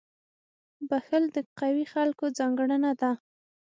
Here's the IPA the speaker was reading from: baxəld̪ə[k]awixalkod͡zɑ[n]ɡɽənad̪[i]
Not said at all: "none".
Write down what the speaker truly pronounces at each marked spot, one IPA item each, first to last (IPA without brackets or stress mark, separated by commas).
q, ŋ, a